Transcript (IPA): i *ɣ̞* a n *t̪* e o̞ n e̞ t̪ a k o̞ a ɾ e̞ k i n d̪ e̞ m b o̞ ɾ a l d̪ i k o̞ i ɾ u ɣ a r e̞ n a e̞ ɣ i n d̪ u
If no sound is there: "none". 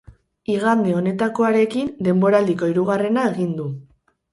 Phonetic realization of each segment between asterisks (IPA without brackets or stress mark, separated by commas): ɣ̞, d̪